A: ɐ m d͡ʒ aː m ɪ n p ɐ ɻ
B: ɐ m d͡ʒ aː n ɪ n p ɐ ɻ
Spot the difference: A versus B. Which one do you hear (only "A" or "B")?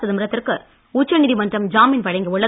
A